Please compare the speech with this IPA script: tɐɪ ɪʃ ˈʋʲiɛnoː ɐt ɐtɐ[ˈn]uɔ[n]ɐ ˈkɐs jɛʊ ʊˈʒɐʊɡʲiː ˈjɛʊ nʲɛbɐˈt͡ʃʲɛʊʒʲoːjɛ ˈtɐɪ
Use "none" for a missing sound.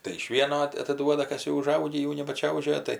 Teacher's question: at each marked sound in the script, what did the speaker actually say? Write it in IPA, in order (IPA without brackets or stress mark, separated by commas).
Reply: d, d